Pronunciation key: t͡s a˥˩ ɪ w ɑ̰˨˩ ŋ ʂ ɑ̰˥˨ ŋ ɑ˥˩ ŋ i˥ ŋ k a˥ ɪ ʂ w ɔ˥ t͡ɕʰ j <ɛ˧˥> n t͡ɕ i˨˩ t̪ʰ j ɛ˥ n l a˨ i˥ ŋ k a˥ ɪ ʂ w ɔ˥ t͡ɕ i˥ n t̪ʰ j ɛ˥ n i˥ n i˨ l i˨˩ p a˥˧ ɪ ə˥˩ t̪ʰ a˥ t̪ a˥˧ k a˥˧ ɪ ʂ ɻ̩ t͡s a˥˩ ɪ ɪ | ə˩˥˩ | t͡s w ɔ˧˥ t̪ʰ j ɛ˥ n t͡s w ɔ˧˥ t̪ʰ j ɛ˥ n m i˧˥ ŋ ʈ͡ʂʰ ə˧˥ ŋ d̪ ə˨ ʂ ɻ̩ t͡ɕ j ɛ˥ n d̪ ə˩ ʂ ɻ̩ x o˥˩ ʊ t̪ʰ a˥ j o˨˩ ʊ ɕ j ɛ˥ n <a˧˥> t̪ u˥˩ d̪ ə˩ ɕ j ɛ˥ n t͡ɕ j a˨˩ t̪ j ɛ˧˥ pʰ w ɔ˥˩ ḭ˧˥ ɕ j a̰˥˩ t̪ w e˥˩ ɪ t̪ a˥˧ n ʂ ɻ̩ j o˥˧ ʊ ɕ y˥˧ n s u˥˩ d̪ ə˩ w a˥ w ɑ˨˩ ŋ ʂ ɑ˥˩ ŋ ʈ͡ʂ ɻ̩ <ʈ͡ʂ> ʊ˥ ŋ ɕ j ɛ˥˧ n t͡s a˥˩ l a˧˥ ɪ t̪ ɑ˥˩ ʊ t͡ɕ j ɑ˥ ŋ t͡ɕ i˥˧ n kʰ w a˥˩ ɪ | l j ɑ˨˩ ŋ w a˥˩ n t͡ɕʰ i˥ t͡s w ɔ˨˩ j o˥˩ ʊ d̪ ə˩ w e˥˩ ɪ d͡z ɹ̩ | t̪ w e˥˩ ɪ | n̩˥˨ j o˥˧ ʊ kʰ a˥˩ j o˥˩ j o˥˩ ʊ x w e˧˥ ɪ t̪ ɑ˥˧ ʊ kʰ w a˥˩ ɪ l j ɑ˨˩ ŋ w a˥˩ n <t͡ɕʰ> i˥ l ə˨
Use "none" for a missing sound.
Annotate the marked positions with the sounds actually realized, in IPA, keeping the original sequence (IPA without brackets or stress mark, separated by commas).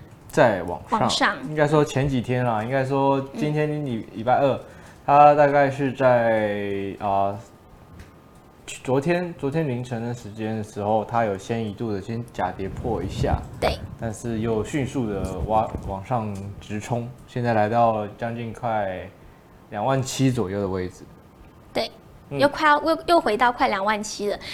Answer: ɛ˧˥, i˧˥, ʈ͡ʂʰ, t͡ɕʰ